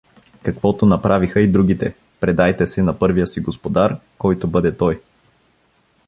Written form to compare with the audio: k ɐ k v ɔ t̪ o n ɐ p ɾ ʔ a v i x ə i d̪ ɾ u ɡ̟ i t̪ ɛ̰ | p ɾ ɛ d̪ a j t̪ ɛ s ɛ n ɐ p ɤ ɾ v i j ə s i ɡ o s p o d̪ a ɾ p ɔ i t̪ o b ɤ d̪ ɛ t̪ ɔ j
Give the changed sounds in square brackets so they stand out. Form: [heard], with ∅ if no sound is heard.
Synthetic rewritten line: k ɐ k v ɔ t̪ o n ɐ p ɾ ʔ a v i x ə i d̪ ɾ u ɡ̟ i t̪ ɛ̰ | p ɾ ɛ d̪ a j t̪ ɛ s ɛ n ɐ p ɤ ɾ v i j ə s i ɡ o s p o d̪ a ɾ [k] ɔ [j] t̪ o b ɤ d̪ ɛ t̪ ɔ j